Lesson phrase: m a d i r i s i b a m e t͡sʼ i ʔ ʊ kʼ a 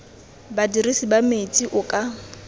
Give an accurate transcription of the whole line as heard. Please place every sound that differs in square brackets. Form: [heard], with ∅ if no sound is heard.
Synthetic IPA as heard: [b] a d i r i s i b a m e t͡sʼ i ʔ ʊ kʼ a